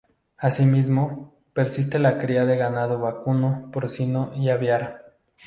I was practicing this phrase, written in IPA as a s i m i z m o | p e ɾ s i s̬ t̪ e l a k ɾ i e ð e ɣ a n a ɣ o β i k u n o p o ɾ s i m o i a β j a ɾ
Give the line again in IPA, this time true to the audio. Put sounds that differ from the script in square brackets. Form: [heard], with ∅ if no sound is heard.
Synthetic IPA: a s i m i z m o | p e ɾ s i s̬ t̪ e l a k ɾ i [a] ð e ɣ a n a [ð] o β [a] k u n o p o ɾ s i [n] o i a β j a ɾ